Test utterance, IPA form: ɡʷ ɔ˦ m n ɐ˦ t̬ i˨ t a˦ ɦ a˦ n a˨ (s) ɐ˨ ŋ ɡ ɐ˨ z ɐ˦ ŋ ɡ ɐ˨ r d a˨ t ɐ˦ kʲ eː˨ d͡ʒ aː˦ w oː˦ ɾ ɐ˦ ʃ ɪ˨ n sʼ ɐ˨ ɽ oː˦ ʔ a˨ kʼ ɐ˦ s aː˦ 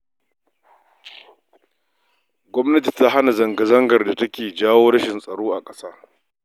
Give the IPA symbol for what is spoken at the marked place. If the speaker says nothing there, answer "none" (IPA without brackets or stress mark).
z